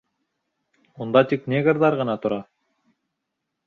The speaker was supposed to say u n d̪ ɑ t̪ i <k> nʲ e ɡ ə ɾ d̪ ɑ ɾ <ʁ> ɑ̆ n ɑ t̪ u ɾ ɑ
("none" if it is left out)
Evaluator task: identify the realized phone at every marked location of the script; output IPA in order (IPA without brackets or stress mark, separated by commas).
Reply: k, ʁ